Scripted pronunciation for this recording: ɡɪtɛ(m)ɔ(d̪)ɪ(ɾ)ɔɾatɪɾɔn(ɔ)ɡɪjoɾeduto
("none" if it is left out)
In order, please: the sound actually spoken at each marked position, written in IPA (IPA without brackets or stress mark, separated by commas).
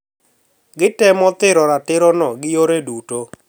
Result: m, t̪, ɾ, ɔ